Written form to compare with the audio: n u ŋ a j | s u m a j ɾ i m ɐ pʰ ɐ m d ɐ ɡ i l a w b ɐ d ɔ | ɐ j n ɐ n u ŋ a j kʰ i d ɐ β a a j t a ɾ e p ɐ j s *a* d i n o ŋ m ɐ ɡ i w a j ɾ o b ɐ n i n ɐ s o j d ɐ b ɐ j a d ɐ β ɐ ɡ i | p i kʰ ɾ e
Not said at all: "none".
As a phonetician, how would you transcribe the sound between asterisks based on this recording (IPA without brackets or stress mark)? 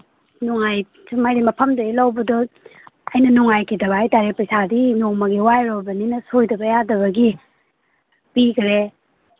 a